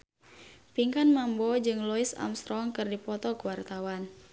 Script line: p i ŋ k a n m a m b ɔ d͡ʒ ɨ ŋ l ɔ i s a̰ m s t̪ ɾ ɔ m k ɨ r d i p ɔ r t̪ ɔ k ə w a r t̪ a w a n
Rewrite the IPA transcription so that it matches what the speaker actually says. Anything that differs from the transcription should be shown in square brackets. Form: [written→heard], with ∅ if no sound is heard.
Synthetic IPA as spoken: p i ŋ k a n m a m b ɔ d͡ʒ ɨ ŋ l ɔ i s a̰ m s t̪ ɾ ɔ [m→ŋ] k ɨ r d i p ɔ [r→∅] t̪ ɔ k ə w a r t̪ a w a n